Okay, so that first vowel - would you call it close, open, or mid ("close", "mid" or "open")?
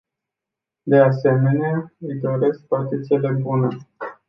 mid